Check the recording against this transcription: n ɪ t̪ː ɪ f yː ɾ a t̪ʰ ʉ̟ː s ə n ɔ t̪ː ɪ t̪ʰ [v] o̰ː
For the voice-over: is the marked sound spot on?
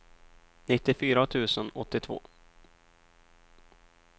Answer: yes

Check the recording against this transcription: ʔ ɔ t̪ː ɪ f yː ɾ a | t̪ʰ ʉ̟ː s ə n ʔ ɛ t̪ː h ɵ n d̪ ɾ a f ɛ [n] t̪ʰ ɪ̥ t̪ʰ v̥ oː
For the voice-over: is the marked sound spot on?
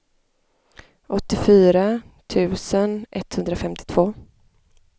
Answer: no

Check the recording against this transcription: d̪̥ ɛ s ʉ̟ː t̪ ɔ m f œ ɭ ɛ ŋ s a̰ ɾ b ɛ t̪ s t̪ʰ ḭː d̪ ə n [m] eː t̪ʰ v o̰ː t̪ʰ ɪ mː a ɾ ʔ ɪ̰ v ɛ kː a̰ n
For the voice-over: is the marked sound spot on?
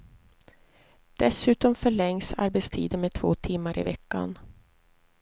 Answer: yes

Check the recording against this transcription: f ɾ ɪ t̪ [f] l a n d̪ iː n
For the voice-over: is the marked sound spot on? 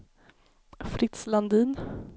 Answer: no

